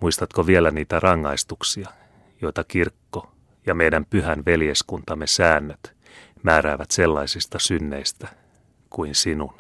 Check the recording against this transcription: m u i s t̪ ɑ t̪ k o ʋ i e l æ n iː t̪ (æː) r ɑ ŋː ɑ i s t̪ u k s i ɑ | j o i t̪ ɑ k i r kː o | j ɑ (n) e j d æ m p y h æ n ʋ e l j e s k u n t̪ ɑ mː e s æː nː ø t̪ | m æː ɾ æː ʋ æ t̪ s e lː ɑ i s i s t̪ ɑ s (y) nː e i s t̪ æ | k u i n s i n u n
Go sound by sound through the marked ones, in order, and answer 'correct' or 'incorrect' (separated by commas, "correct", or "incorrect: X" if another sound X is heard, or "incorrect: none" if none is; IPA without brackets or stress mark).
incorrect: æ, incorrect: m, correct